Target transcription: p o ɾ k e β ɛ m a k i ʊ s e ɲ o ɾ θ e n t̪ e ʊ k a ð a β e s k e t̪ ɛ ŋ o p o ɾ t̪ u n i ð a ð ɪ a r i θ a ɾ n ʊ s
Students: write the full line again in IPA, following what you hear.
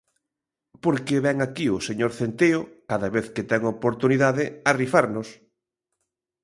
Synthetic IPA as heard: p o ɾ k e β ɛ ŋ a k i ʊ s e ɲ o ɾ θ e n t̪ e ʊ k a ð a β e θ k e t̪ ɛ ŋ o p o ɾ t̪ u n i ð a ð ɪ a r i f a ɾ n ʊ s

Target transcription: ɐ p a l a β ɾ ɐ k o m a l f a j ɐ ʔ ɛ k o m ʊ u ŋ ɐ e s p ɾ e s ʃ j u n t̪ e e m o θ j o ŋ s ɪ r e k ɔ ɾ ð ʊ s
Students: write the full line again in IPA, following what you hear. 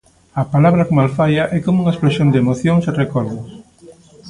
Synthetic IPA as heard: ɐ p a l a β ɾ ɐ k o m a l f a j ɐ ʔ ɛ k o m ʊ u ŋ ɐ e s p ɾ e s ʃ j o n d̪ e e m o θ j o ŋ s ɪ r e k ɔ ɾ ð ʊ s

